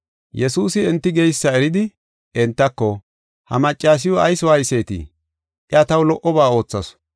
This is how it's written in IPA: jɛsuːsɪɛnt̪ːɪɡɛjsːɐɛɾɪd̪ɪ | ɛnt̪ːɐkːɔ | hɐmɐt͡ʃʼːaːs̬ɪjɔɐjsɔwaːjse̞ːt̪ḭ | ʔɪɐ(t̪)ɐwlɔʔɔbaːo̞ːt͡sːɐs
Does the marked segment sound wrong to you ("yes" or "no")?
no